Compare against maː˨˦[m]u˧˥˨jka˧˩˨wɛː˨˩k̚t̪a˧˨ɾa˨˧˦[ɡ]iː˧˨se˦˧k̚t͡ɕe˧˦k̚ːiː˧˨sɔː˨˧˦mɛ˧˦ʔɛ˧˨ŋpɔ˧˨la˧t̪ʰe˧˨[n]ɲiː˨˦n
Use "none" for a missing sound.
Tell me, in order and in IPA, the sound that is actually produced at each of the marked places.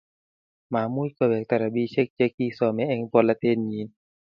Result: m, b, n

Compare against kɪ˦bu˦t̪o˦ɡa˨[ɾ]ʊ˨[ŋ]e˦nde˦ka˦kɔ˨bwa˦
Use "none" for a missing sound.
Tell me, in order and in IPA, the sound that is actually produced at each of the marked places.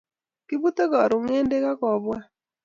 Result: ɾ, ŋ

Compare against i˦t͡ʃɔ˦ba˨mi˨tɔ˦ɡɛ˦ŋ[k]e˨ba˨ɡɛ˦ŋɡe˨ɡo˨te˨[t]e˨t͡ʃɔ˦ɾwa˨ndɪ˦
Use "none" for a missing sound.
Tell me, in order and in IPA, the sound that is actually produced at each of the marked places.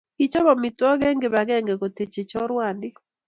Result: ɡ, t͡ʃ

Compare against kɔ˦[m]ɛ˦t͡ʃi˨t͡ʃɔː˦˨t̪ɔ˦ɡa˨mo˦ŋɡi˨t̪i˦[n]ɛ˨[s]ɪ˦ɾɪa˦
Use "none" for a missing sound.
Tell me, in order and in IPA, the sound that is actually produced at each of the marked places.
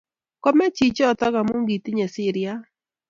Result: m, ɲ, s

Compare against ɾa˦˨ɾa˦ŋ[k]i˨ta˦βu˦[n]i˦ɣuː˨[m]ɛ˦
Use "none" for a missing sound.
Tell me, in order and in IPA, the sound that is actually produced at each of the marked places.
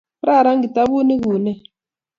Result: ɡ, n, n

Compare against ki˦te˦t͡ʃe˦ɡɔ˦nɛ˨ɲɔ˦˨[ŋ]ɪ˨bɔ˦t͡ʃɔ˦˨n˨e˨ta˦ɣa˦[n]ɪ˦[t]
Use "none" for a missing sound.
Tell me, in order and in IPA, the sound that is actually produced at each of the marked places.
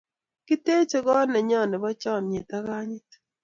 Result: n, ɲ, t

